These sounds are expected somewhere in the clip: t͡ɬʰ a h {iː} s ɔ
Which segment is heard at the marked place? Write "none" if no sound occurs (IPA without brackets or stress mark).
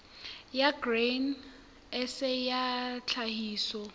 iː